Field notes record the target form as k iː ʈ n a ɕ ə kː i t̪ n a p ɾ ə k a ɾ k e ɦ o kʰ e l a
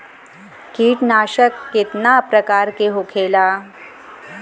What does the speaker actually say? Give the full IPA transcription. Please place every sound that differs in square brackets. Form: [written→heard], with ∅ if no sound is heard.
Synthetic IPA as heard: k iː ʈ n a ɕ ə kː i t̪ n a p ɾ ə k a ɾ k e ɦ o kʰ e l a